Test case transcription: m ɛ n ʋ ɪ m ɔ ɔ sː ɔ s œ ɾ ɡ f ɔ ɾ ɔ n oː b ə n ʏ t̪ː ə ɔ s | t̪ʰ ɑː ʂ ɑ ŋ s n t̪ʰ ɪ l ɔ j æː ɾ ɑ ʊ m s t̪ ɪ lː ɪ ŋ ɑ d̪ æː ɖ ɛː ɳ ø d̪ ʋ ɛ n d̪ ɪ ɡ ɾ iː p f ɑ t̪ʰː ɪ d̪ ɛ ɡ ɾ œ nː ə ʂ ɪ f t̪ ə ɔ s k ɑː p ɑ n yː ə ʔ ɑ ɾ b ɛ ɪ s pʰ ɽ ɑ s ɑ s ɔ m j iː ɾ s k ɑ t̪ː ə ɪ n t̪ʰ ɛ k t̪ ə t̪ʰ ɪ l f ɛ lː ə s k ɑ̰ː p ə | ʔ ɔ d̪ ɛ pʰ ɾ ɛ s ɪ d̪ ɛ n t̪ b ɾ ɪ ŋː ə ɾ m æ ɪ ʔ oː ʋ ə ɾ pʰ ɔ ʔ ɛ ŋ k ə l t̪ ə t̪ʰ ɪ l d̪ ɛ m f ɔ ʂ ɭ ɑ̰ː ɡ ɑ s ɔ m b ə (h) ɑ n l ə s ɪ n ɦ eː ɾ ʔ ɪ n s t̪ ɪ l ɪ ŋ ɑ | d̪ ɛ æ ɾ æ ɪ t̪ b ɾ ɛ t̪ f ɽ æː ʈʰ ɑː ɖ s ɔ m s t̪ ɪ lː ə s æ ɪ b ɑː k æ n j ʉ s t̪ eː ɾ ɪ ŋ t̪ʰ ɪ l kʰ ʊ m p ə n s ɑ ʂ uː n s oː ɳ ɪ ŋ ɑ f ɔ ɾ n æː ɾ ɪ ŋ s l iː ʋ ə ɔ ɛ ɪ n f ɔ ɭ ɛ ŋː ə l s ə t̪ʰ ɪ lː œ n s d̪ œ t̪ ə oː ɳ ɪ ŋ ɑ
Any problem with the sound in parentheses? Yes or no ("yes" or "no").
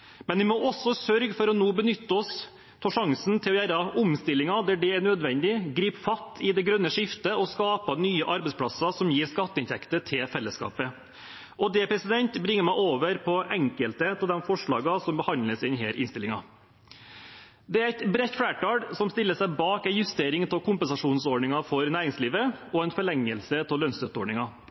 no